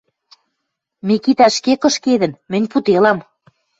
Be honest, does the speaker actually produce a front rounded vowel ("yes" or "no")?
no